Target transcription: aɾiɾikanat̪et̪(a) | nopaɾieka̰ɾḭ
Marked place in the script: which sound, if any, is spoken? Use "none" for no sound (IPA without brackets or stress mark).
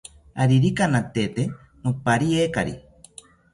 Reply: e